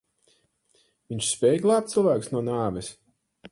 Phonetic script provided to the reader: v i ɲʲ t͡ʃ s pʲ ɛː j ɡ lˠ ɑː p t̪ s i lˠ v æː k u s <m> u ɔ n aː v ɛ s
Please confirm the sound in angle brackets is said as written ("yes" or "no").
no